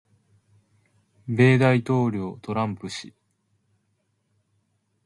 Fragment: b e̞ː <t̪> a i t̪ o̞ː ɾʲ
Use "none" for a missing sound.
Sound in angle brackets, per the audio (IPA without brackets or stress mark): d̪